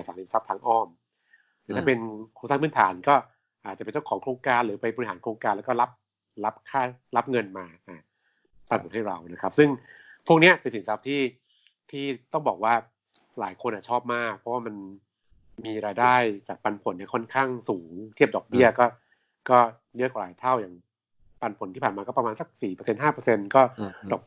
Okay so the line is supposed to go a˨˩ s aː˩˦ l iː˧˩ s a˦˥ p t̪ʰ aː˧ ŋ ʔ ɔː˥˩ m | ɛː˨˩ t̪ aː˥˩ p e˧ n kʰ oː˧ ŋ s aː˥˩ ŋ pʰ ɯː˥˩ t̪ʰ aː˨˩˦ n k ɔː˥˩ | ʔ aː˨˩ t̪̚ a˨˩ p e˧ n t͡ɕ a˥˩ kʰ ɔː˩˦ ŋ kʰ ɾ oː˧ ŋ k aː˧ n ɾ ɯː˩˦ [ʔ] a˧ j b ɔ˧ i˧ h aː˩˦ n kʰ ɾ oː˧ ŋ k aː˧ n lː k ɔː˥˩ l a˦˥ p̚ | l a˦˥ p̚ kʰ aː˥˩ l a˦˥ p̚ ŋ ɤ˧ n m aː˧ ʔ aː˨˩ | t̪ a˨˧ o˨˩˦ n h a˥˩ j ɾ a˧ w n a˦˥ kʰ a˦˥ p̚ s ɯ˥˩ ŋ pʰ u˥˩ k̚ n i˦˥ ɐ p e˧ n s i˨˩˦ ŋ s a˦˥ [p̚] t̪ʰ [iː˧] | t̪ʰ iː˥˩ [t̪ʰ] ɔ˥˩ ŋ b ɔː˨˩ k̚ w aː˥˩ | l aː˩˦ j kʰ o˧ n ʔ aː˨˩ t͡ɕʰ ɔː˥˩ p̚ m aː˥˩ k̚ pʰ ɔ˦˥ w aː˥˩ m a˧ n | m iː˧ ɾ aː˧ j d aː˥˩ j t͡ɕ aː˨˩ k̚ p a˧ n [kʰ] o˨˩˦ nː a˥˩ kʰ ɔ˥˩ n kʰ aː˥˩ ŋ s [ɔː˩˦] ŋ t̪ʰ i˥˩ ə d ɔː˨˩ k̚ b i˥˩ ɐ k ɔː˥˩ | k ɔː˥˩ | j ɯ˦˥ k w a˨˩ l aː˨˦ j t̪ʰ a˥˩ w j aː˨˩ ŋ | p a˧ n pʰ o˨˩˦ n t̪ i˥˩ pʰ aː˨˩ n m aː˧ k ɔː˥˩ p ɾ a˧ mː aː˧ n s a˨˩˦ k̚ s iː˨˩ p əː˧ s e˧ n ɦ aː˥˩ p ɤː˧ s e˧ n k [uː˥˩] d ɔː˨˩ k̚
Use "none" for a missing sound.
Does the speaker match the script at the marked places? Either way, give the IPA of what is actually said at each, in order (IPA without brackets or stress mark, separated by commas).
p, p̚, iː˥˩, t̪, pʰ, uː˩˦, ɔː˥˩